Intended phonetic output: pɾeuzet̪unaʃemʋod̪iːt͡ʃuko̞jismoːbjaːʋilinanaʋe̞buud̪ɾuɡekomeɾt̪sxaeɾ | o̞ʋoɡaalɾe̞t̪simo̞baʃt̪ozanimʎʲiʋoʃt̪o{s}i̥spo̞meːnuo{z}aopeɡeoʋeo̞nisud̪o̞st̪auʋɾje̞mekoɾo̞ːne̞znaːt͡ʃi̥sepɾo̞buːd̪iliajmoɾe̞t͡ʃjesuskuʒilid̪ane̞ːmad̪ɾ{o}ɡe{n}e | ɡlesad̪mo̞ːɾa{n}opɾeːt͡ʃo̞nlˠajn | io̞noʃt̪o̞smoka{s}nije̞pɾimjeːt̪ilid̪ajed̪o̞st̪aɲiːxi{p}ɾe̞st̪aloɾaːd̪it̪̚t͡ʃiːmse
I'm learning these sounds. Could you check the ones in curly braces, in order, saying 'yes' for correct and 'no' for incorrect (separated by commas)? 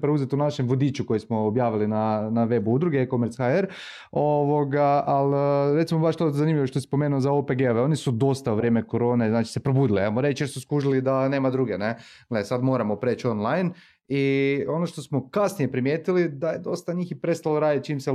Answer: yes, yes, no, yes, no, yes, yes